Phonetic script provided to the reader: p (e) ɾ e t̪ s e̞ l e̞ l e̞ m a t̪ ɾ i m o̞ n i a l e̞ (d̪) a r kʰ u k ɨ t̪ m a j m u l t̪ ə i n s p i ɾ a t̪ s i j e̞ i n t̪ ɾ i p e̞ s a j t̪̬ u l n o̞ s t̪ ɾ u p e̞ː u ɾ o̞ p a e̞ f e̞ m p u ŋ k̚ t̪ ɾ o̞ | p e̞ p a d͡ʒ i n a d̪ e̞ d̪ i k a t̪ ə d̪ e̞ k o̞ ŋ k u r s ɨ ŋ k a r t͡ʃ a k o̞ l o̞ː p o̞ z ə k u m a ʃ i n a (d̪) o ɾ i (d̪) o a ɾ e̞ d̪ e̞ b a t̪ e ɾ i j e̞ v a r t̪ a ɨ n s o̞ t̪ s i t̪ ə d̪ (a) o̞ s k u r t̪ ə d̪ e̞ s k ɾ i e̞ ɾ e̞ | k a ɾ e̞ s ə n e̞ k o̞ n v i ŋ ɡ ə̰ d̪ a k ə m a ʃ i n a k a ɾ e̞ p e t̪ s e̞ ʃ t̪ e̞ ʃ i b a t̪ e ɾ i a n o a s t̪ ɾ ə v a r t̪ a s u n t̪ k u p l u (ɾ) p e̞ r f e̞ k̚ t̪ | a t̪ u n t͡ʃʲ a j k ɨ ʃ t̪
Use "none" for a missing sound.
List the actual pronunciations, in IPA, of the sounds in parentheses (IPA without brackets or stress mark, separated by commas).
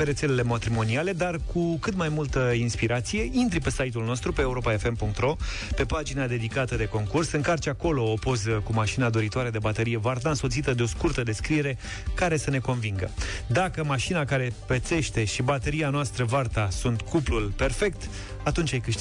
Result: e, d̪, d̪, t̪, e, l